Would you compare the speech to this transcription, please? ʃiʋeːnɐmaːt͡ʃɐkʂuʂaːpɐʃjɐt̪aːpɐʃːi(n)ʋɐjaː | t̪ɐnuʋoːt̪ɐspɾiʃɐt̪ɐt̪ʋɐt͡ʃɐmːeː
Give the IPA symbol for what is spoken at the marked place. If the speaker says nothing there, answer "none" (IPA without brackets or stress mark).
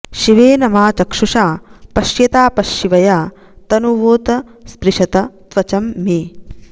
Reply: none